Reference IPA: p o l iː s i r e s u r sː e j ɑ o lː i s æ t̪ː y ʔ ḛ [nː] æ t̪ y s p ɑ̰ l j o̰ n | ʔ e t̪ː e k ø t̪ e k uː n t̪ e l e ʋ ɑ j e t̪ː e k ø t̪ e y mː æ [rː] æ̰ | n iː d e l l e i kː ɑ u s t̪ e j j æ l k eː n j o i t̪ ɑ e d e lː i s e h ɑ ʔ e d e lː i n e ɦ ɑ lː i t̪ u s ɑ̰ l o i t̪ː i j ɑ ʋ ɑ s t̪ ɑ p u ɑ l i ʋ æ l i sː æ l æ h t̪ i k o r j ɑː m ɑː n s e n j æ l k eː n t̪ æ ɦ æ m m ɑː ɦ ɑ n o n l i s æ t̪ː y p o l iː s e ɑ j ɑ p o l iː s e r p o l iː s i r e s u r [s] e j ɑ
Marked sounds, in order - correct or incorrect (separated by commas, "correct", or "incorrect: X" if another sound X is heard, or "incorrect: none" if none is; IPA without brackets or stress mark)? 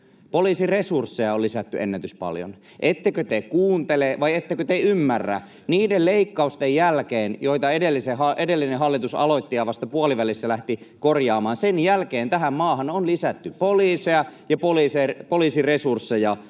correct, correct, incorrect: sː